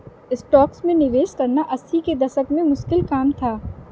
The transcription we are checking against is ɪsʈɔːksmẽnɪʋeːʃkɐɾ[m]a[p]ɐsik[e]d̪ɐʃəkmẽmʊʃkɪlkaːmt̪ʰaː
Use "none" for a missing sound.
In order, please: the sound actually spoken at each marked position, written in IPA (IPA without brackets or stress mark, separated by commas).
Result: n, ʔ, e